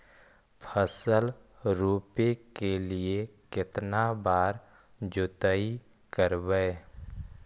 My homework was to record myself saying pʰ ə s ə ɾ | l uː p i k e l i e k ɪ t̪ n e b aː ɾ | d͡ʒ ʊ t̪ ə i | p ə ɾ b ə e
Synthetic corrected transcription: pʰ ə s ə l | ɾ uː p e k e l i e k ɪ t̪ n a b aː ɾ | d͡ʒ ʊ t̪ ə i | k ə ɾ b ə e